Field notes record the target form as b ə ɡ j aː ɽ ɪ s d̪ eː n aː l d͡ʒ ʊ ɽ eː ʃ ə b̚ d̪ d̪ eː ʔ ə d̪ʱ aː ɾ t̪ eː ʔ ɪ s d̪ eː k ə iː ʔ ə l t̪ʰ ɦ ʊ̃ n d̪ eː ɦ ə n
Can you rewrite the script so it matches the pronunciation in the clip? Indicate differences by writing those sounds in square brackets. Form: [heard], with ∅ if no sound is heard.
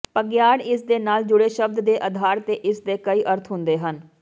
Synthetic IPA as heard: [p] ə ɡ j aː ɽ ɪ s d̪ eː n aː l d͡ʒ ʊ ɽ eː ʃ ə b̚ d̪ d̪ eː ʔ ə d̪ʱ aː ɾ t̪ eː ʔ ɪ s d̪ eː k ə iː ʔ ə [ɾ] t̪ʰ ɦ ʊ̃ n d̪ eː ɦ ə n